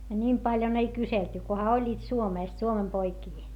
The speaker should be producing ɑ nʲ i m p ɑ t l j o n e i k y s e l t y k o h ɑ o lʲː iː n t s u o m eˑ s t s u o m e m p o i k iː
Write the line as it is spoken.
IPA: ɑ nʲ i m p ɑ l j o n e i k y s e l t y k o h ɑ o lʲː iː t s u o m eˑ s t s u o m e m p o i k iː